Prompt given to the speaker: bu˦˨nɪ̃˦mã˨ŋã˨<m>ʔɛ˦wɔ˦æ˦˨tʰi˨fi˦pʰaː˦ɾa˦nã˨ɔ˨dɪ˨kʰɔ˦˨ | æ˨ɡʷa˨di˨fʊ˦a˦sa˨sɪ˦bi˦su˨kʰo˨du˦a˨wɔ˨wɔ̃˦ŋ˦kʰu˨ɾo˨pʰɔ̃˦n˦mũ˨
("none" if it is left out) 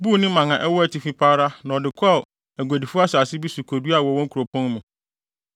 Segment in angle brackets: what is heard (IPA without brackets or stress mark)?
none